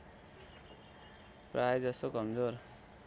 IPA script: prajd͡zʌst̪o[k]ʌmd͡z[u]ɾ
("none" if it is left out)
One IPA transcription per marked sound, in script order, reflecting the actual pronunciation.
k, o

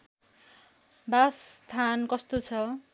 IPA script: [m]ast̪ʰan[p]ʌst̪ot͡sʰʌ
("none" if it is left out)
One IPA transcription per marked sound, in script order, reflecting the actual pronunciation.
b, k

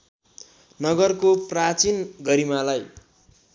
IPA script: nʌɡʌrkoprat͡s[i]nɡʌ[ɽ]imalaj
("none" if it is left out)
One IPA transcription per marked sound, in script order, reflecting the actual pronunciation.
i, ɾ

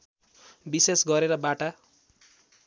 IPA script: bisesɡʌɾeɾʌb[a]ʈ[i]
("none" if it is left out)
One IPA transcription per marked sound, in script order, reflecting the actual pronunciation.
a, a

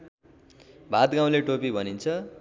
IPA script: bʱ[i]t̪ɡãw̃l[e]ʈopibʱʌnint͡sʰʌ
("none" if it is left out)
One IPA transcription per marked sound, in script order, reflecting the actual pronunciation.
a, e

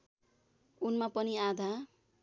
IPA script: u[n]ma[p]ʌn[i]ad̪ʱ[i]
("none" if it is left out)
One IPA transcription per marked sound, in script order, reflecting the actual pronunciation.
n, p, i, a

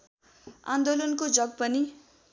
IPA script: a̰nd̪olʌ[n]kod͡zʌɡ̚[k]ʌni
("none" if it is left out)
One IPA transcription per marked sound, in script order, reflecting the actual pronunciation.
n, p

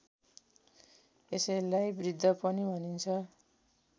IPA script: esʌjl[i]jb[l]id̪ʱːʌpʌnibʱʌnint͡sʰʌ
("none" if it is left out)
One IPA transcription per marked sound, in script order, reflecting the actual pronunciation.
a, r

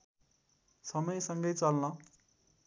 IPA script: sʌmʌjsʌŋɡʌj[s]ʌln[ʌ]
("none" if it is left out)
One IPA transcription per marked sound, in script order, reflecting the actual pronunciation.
t͡s, ʌ

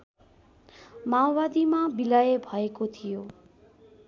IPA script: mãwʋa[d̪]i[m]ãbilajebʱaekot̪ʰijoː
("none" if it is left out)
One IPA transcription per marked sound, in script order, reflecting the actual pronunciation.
d̪, m

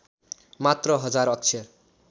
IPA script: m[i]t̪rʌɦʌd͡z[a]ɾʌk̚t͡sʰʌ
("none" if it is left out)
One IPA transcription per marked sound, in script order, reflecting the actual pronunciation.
a, a

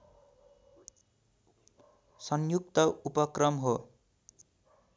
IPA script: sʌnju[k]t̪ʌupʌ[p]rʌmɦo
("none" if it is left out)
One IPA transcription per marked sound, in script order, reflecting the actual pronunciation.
k, k

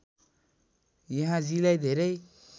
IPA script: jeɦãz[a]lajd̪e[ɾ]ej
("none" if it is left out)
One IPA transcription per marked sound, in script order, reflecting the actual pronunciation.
i, ɾ

